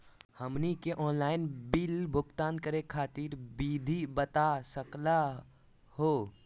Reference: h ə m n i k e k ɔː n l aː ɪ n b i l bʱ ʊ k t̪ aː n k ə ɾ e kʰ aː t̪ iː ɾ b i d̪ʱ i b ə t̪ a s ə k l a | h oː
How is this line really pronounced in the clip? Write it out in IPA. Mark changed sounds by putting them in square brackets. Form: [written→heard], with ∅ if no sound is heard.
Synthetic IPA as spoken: h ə m n i k e [k→ʔ] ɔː n l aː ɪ n b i l bʱ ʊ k t̪ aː n k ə ɾ e kʰ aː t̪ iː ɾ b i d̪ʱ i b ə t̪ a s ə k l a | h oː